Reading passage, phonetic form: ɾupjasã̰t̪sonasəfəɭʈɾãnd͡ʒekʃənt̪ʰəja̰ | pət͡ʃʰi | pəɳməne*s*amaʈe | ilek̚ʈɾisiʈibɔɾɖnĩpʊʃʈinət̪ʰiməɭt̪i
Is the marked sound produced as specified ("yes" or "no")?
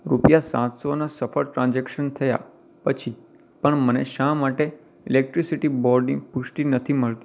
no